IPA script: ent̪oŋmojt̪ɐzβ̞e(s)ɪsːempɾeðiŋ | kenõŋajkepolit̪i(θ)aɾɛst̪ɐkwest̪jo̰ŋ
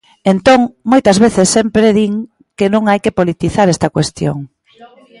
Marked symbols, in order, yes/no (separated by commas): no, yes